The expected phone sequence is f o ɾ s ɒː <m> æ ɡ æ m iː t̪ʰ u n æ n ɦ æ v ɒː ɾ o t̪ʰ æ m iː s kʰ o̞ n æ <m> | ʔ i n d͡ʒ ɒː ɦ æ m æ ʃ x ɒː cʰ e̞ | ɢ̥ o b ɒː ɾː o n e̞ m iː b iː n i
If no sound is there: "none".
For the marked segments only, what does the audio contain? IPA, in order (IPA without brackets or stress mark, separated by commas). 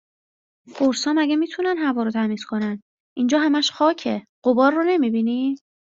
m, n